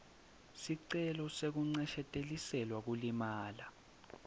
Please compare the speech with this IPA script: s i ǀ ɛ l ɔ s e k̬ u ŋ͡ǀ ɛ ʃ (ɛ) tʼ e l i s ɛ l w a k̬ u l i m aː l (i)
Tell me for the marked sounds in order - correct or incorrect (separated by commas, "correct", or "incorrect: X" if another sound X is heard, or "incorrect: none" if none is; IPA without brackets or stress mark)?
correct, incorrect: a